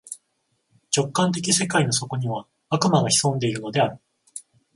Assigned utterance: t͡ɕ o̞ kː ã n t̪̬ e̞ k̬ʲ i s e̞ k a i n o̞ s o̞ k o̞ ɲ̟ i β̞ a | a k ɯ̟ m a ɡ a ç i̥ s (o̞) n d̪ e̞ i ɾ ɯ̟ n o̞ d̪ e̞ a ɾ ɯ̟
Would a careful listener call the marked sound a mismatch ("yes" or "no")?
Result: yes